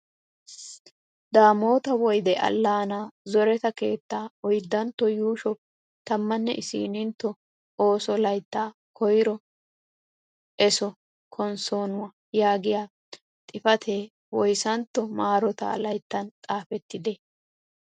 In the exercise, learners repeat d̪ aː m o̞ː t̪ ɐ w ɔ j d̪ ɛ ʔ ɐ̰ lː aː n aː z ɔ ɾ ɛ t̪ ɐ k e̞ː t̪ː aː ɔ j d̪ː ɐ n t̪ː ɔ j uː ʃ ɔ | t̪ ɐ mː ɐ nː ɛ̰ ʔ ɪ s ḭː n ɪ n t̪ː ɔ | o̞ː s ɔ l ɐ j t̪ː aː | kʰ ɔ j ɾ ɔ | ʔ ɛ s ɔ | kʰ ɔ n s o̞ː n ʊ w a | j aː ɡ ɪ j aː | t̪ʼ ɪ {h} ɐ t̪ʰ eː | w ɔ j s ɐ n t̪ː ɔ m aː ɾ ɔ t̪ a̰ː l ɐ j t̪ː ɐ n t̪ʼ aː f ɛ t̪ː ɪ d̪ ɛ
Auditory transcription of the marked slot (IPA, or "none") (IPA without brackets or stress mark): f